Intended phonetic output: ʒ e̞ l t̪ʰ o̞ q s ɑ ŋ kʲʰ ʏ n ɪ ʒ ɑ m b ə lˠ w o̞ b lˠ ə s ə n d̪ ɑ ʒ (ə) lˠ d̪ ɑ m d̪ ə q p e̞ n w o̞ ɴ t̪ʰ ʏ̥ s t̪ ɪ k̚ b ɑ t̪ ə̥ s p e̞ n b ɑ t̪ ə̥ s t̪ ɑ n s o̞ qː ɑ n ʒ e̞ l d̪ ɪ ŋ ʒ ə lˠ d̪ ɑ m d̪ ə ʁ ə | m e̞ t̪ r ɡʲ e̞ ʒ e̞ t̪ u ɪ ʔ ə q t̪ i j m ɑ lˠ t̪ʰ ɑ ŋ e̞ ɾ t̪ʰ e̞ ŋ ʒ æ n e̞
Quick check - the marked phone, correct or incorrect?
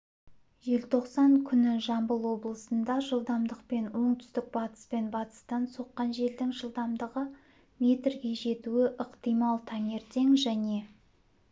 correct